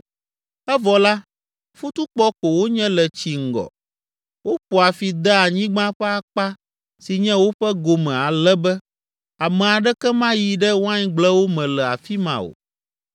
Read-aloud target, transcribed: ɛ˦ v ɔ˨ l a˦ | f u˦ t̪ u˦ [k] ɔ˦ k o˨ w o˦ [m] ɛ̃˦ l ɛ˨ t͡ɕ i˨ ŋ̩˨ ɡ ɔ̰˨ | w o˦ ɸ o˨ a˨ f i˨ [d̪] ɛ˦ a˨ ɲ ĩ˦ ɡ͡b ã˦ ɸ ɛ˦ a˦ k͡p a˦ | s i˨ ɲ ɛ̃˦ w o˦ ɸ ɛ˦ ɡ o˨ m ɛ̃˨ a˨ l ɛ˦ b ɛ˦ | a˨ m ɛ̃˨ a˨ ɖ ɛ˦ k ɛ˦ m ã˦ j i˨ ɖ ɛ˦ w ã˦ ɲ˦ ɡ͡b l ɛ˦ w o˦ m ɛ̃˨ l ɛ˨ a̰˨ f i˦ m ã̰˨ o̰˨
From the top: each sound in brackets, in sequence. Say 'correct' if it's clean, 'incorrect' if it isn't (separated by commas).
incorrect, incorrect, correct